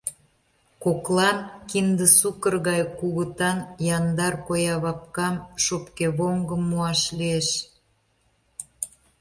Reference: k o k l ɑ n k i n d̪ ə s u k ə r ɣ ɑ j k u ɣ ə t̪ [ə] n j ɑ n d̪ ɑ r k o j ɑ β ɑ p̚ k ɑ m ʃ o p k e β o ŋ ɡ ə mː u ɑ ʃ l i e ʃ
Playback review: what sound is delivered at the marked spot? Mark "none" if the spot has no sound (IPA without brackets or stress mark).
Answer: ɑ